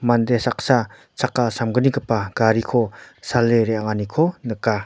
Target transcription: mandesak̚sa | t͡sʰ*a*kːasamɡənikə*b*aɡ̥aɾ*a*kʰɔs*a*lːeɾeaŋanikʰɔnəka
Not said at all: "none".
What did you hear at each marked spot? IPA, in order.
a, p, i, a

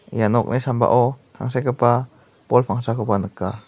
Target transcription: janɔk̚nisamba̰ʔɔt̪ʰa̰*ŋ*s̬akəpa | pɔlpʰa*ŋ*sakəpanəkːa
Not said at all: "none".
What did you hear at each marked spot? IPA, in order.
ŋ, ŋ

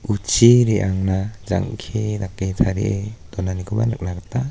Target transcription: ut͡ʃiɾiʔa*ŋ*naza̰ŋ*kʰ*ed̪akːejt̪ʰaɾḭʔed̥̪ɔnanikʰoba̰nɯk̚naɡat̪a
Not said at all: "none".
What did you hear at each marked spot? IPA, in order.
ŋ, kʰ

